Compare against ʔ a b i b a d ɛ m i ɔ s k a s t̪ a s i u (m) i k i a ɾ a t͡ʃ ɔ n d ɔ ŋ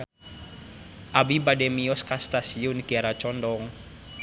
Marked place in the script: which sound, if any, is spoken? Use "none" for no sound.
n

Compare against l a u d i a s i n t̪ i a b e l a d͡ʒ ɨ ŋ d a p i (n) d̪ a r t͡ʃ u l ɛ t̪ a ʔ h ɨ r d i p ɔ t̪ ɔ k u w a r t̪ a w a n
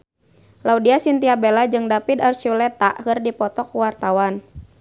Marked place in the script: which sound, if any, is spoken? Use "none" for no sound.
none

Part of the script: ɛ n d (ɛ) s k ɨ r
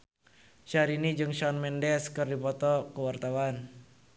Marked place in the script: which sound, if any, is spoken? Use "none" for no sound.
ɛ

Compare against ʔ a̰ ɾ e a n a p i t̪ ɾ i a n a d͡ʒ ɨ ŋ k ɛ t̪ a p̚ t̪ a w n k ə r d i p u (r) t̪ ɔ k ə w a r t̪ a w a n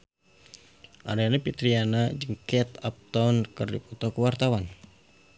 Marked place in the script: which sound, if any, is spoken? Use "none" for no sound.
none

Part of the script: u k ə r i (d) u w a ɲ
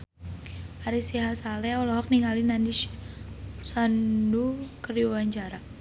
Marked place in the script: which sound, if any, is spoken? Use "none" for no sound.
none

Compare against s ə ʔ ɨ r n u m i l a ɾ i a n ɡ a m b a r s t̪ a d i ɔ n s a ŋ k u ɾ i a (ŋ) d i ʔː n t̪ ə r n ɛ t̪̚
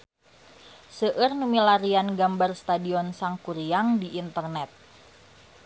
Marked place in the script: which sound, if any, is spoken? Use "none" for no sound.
ŋ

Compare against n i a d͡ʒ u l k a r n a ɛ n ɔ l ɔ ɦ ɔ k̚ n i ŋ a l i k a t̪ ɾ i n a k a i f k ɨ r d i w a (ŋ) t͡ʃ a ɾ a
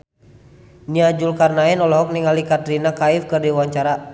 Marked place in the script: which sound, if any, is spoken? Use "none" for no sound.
ɲ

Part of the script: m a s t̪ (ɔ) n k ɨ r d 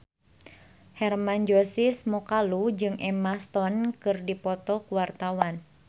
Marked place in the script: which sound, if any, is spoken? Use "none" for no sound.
ɔ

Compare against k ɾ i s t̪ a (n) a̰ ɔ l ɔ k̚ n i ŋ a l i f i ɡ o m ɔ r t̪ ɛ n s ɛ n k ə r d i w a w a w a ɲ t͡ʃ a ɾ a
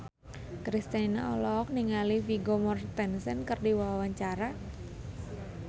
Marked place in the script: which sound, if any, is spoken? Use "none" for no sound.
n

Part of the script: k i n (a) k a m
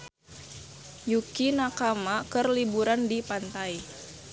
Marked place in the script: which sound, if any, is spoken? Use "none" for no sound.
a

